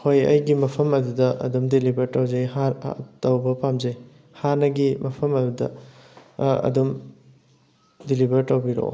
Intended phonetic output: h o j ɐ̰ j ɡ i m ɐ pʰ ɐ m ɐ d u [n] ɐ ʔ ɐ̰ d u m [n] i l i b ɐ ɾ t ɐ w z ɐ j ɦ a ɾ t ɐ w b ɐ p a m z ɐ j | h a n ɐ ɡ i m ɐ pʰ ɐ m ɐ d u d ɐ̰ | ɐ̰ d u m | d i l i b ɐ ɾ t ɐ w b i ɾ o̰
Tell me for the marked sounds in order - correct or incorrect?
incorrect: d, incorrect: d

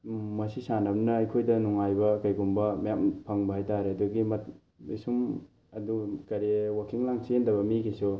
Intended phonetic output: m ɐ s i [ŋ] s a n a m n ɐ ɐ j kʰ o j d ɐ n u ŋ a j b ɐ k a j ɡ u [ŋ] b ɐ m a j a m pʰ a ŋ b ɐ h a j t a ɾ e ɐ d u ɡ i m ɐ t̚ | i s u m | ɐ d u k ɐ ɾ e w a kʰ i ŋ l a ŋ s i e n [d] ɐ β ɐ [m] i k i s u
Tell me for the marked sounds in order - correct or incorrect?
incorrect: none, incorrect: m, correct, correct

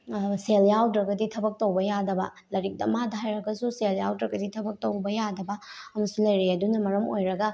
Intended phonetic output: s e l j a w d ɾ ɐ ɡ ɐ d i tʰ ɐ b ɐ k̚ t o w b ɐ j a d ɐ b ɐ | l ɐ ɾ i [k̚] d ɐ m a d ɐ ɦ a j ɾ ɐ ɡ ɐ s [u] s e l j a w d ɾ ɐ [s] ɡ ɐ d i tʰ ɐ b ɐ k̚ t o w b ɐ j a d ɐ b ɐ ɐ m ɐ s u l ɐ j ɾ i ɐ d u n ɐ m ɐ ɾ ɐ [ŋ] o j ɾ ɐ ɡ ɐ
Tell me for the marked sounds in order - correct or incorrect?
correct, correct, incorrect: none, incorrect: m

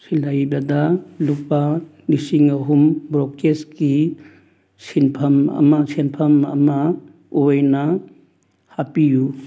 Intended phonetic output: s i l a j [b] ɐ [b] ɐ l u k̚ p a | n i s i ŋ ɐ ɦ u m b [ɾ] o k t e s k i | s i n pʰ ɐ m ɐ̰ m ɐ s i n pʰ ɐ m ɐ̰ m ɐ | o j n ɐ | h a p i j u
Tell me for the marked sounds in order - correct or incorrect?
correct, incorrect: d, correct

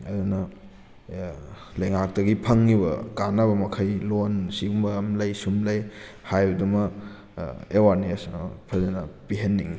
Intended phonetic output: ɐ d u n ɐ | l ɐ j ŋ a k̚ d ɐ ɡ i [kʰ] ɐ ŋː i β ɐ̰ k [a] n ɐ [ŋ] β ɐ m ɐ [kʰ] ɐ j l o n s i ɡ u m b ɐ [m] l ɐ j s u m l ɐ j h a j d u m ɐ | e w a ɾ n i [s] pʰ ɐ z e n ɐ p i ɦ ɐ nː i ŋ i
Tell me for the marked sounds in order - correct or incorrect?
incorrect: pʰ, correct, incorrect: none, correct, correct, correct

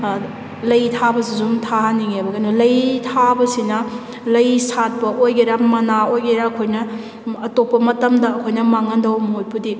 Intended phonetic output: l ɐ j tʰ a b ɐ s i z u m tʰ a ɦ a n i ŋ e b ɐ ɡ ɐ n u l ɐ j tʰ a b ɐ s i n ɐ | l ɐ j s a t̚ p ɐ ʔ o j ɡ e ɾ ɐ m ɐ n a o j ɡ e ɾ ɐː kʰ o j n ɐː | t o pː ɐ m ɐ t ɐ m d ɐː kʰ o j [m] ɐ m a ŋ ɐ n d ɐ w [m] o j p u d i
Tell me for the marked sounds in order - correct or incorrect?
incorrect: n, correct

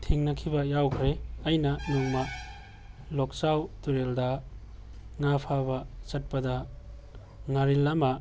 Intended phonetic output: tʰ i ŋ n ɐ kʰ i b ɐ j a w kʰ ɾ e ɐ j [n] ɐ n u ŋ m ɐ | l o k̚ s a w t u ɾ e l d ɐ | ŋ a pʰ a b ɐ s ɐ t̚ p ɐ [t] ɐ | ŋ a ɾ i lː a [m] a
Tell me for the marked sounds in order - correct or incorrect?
correct, incorrect: d, correct

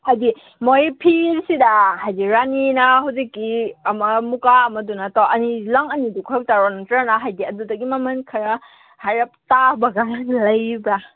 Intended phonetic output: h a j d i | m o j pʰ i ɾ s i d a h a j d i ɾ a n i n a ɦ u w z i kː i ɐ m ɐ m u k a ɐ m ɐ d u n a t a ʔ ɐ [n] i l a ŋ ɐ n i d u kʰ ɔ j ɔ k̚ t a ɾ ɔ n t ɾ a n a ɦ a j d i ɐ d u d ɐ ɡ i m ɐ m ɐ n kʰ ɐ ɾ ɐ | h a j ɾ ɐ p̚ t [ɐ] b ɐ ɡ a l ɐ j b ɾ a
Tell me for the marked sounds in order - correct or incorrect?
correct, incorrect: a

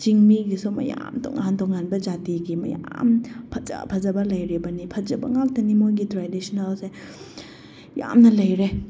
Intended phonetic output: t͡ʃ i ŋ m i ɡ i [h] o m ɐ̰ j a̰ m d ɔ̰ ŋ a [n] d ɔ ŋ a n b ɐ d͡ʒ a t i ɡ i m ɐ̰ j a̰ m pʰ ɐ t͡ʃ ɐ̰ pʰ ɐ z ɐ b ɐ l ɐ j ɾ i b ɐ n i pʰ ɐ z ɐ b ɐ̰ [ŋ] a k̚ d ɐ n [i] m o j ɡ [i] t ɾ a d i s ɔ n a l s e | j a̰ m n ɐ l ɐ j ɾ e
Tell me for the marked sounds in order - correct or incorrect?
incorrect: s, correct, correct, correct, correct

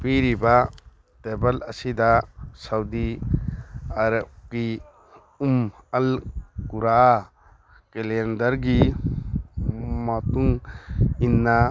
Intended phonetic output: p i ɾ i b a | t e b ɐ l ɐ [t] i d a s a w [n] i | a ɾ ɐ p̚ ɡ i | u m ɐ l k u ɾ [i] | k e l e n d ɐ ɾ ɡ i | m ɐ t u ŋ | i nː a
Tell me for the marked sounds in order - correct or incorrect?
incorrect: s, incorrect: d, incorrect: a

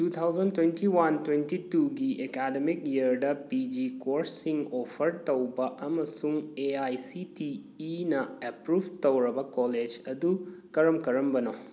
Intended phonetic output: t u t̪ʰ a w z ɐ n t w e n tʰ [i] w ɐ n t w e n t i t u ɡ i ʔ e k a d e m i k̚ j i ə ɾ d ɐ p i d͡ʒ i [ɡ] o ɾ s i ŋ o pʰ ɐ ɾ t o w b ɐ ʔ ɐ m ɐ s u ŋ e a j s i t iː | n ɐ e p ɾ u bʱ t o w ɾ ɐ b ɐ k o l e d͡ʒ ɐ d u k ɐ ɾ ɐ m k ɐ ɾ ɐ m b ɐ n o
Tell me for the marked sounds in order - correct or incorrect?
correct, incorrect: k

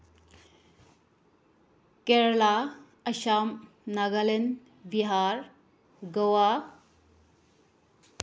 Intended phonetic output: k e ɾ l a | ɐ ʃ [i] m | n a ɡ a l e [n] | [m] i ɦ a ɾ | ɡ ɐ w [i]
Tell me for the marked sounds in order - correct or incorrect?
incorrect: a, correct, incorrect: b, incorrect: a

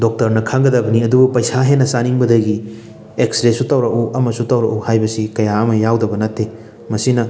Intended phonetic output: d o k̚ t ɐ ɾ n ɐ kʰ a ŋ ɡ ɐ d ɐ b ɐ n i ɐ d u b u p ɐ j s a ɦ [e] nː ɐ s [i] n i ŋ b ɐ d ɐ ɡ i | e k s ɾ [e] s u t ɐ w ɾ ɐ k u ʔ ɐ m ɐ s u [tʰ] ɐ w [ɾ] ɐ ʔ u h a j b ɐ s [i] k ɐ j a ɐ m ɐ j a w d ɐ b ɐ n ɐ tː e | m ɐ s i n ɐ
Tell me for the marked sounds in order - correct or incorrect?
correct, incorrect: a, correct, incorrect: t, correct, correct

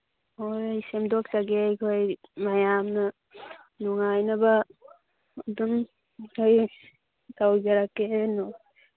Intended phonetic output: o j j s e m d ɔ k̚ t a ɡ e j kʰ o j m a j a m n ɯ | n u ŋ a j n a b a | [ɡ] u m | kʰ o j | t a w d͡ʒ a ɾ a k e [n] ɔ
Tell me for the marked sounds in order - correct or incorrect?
incorrect: d, correct

